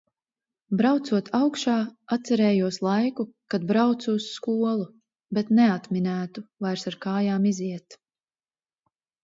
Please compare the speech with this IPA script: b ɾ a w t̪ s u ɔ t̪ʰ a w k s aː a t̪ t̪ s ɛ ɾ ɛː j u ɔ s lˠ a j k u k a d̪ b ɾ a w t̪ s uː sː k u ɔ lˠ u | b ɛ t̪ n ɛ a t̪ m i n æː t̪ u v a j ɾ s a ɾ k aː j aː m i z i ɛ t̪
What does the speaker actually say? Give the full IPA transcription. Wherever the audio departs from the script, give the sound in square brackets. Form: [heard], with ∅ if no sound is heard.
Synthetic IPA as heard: b ɾ a w t̪ s u ɔ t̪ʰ a w k [ʃ] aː a t̪ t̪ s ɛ ɾ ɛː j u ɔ s lˠ a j k u k a d̪ b ɾ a w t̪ s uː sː k u ɔ lˠ u | b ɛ t̪ n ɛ a t̪ m i n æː t̪ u v a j ɾ s a ɾ k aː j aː m i z i ɛ t̪